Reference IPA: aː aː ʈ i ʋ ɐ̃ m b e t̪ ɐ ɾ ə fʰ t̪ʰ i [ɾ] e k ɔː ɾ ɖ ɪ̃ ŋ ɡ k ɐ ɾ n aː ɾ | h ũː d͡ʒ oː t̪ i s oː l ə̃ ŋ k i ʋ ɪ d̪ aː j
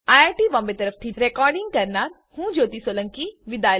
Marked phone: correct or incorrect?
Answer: correct